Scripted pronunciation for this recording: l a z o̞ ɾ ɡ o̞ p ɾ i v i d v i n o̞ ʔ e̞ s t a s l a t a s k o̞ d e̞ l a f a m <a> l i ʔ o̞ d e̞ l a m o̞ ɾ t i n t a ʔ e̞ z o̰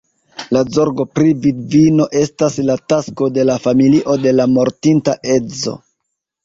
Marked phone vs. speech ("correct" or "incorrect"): incorrect